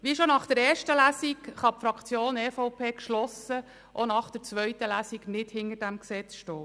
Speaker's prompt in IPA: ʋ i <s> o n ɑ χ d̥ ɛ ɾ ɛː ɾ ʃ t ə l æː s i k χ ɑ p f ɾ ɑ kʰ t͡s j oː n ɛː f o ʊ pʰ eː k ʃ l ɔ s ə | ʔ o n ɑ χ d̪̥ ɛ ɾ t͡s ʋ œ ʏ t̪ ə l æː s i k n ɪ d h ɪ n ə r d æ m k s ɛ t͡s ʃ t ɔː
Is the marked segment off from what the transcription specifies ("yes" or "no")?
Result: yes